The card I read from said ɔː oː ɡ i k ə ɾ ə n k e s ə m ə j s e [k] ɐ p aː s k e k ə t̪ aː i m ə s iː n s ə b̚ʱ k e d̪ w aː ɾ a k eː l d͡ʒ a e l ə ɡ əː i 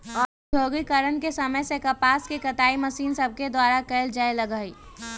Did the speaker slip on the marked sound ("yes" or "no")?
no